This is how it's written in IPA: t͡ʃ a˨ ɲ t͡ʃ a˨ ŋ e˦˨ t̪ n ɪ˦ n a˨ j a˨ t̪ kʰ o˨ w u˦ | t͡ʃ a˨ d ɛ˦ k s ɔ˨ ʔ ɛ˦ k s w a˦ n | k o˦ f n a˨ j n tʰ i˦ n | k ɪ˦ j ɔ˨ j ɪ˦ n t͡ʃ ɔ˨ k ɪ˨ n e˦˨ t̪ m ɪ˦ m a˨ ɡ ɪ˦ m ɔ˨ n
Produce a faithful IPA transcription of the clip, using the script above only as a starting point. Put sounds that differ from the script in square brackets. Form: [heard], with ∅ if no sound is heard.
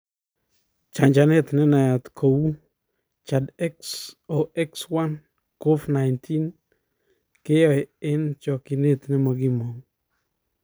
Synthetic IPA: t͡ʃ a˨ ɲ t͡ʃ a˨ [n] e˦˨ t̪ n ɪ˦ n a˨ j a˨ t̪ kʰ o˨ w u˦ | t͡ʃ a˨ d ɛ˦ k s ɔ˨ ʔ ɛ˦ k s w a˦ n | k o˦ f n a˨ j n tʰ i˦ n | k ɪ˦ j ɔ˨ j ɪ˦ n t͡ʃ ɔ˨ k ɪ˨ n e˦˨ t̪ [n] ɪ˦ m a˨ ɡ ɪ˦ m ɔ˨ [ŋ]